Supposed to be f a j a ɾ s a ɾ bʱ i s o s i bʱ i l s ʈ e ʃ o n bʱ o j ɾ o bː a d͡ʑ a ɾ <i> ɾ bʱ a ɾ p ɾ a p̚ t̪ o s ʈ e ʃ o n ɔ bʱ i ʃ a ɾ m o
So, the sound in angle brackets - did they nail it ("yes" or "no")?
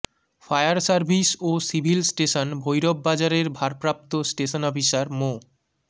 no